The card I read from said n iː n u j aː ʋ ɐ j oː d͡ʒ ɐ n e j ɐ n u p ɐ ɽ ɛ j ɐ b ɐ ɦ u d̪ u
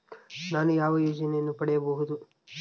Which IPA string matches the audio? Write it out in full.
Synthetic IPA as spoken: n aː n u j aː ʋ ɐ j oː d͡ʒ ɐ n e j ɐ nː u p ɐ ɽ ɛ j ɐ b ɐ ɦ u d̪ u